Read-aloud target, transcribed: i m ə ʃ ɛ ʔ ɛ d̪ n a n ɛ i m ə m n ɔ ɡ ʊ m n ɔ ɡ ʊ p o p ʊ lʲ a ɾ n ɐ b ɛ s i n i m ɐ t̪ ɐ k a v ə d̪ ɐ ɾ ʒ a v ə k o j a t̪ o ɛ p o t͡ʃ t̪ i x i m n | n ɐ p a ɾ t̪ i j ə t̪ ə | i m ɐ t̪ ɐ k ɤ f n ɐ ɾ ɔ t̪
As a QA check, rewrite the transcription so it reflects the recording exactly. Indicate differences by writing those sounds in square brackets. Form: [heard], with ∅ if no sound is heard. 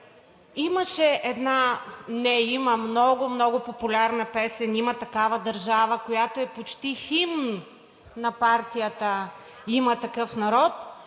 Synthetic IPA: i m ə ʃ ɛ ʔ ɛ d̪ n a n ɛ i m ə m n ɔ ɡ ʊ m n ɔ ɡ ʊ p o p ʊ lʲ a ɾ n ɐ [p] ɛ s [ɛ] n i m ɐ t̪ ɐ k a v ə d̪ ɐ ɾ ʒ a v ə k o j a t̪ o ɛ p o t͡ʃ t̪ i x i m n | n ɐ p a ɾ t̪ i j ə t̪ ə | i m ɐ t̪ ɐ k ɤ f n ɐ ɾ ɔ t̪